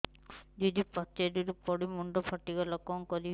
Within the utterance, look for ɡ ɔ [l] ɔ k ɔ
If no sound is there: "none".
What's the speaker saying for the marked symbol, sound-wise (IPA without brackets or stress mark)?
l